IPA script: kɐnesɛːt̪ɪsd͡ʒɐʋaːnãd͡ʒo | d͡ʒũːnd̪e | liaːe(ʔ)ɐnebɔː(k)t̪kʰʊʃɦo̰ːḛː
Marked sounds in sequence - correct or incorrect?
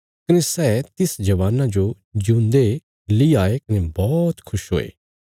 incorrect: k, incorrect: none

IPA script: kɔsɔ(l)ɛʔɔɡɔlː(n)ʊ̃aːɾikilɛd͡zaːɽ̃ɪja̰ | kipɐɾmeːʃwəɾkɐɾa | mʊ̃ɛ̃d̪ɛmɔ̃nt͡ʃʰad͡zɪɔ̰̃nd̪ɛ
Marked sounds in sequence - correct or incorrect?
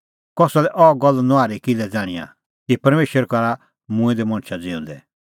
correct, correct

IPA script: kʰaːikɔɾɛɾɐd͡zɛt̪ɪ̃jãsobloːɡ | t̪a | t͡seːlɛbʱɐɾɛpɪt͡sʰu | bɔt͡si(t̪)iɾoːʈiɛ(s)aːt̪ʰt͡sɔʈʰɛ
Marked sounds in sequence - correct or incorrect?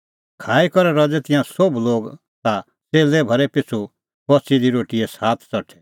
incorrect: d̪, correct

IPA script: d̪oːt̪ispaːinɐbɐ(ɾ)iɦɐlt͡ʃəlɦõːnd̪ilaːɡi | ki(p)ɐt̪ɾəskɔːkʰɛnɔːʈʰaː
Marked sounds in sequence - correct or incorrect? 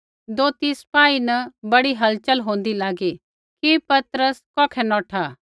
incorrect: ɽ, correct

